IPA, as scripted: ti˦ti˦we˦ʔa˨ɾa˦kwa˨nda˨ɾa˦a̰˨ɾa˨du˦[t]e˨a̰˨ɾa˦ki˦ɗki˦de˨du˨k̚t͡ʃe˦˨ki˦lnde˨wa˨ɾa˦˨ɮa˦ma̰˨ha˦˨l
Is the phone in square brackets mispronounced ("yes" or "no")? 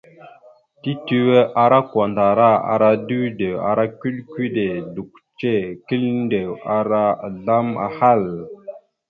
yes